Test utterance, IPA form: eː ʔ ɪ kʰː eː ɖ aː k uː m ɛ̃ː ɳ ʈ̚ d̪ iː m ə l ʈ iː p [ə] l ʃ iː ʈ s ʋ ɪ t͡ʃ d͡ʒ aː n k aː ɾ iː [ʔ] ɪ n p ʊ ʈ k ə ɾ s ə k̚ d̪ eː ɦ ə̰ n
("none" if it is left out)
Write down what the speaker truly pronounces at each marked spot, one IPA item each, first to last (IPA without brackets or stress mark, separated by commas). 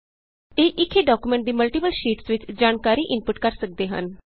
ə, ʔ